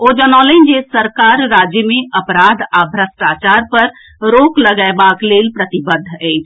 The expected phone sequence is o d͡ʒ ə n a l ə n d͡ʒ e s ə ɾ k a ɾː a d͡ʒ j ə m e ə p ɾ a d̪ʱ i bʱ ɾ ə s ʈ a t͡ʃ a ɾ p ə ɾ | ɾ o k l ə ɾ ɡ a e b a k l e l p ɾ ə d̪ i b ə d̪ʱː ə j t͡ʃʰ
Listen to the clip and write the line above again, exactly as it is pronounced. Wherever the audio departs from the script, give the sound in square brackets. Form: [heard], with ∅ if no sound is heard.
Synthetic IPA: o d͡ʒ ə n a l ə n d͡ʒ e s ə ɾ k a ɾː a d͡ʒ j ə m e ə p ɾ a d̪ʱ [a] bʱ ɾ ə s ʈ a t͡ʃ a ɾ p ə ɾ | ɾ o k l ə [∅] ɡ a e b a k l e l p ɾ ə [t̪] i b ə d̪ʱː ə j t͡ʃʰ

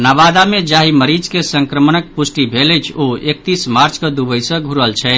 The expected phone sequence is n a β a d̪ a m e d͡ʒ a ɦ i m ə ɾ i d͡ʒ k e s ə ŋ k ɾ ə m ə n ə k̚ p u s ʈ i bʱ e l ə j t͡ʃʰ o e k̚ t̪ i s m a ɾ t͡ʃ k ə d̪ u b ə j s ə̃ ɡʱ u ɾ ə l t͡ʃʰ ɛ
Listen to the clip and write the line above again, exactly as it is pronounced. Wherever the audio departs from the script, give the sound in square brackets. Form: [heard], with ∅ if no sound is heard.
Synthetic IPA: n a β a d̪ a m e d͡ʒ a ɦ i m ə ɾ i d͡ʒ k e s ə ŋ k ɾ ə m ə n ə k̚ p u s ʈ i bʱ e l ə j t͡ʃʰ o e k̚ t̪ i s m a ɾ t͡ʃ k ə d̪ u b ə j s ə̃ ɡʱ u ɾ ə l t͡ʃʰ ɛ

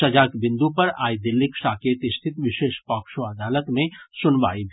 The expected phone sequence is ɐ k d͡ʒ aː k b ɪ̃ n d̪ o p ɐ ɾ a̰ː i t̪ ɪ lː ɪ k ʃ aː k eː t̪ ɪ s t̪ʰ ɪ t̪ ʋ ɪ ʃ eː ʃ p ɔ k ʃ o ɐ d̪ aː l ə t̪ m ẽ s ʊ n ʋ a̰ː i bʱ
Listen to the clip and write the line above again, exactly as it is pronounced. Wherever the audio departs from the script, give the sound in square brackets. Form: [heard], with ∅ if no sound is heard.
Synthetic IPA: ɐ [∅] d͡ʒ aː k b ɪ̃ n d̪ [u] p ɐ ɾ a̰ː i [d̪] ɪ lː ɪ k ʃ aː k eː t̪ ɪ s t̪ʰ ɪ t̪ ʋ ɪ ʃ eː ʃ p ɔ k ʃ o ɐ d̪ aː l ə t̪ m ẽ s ʊ n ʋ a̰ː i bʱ

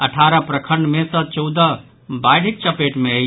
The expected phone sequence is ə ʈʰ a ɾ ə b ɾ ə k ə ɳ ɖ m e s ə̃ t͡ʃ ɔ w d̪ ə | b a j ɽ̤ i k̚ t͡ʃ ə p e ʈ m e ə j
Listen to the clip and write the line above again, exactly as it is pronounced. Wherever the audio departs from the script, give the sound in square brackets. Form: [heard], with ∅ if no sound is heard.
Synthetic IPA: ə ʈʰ a ɾ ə [p] ɾ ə [kʰ] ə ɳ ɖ m e s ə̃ t͡ʃ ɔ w d̪ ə | b a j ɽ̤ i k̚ t͡ʃ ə p e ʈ m e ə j

